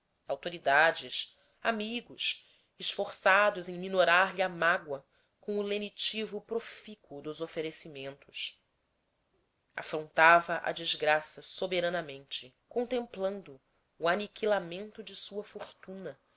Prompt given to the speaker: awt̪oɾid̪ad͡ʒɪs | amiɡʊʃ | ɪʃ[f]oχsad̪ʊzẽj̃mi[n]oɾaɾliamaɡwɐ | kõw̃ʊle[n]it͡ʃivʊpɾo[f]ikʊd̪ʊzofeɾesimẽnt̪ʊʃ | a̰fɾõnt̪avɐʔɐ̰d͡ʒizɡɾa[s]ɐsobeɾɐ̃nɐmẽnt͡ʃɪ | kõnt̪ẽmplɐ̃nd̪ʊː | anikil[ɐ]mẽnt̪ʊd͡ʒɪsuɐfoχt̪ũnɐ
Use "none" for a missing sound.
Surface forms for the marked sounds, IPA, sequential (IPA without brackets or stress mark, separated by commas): f, n, n, f, s, a